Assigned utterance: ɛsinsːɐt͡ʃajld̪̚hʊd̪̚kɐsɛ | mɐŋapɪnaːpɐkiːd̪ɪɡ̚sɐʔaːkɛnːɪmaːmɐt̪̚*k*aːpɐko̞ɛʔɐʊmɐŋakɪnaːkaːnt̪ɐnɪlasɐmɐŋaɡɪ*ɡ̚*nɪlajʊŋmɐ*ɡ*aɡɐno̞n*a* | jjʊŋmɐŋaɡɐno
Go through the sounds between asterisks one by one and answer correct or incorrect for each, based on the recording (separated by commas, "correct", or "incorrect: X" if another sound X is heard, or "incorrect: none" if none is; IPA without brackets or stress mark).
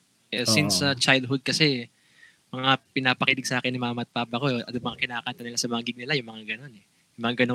incorrect: p, correct, incorrect: ŋ, incorrect: ɛ